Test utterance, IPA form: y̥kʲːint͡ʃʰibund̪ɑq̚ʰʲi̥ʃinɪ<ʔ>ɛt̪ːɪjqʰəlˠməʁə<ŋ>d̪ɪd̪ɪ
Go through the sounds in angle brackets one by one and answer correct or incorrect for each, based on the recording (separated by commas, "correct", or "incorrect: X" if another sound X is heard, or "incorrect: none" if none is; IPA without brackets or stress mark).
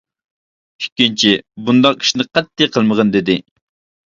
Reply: incorrect: q, incorrect: n